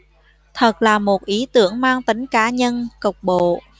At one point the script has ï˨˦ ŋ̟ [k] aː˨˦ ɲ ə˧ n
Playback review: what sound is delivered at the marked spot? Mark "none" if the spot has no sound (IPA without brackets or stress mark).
k